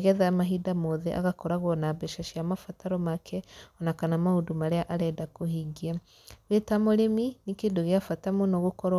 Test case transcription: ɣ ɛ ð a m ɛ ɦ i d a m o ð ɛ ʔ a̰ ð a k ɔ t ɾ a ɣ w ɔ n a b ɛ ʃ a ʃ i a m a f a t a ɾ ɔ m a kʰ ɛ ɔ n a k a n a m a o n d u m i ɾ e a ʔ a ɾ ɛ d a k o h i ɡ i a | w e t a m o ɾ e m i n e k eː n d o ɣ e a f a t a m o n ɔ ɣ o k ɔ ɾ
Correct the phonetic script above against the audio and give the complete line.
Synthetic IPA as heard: ɣ ɛ ð a m a ɦ i d a m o ð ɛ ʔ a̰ ɣ a k ɔ ɾ a ɣ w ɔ n a b ɛ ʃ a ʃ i a m a f a t a ɾ ɔ m a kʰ ɛ ɔ n a k a n a m a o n d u m a ɾ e a ʔ a ɾ ɛ d a k o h i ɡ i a | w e t a m o ɾ e m i n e k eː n d o ɣ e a f a t a m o n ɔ ɣ o k ɔ ɾ